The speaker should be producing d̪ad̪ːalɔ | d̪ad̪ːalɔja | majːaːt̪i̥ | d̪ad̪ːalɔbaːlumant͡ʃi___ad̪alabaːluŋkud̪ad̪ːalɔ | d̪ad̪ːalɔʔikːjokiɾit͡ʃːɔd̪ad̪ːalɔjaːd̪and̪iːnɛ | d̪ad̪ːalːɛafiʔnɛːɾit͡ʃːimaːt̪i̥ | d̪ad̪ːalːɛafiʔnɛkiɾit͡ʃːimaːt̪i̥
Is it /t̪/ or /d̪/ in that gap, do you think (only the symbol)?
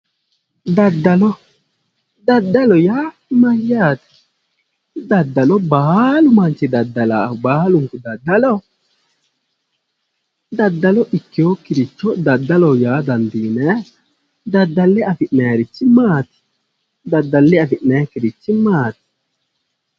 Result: d̪